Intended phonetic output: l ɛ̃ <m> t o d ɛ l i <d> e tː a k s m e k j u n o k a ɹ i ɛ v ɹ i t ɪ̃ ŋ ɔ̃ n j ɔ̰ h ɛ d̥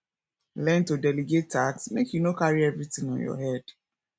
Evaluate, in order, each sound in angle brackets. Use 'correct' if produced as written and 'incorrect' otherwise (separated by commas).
incorrect, incorrect